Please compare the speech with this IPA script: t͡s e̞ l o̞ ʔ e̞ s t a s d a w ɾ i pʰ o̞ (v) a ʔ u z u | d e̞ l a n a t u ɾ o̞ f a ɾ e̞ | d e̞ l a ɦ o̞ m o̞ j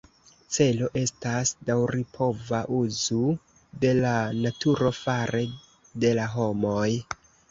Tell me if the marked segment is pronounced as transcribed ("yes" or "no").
yes